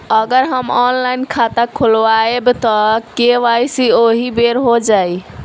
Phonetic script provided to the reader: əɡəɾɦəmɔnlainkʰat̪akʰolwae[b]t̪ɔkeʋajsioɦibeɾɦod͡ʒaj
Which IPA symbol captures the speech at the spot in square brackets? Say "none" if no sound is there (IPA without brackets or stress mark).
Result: b